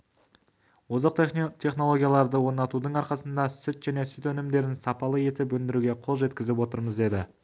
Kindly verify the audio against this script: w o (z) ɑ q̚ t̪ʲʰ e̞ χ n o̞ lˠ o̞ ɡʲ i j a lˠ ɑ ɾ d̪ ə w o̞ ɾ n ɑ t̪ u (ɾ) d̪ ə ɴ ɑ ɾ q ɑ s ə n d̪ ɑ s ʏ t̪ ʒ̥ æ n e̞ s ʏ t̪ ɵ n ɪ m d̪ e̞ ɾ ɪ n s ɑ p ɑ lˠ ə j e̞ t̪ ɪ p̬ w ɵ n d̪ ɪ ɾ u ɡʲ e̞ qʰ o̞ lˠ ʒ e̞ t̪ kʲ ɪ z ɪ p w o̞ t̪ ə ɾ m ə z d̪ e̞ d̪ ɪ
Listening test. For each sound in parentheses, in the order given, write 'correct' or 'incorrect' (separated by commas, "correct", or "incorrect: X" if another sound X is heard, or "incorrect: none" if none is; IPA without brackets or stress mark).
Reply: correct, incorrect: none